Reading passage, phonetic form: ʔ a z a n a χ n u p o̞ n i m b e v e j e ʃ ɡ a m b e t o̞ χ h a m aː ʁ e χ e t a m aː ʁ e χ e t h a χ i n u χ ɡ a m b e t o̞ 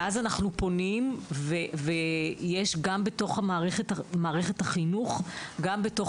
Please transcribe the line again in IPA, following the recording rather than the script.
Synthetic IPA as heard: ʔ a z a n a χ n u p o̞ n i m v e v e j e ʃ ɡ a m b e t o̞ χ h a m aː ʁ e χ e t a m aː ʁ e χ e t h a χ i n u χ ɡ a m b e t o̞